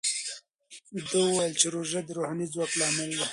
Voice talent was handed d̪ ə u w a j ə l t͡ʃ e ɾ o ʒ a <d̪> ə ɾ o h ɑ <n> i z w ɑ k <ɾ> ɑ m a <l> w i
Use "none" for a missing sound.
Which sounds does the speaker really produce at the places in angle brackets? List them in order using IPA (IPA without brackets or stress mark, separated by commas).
d̪, n, l, l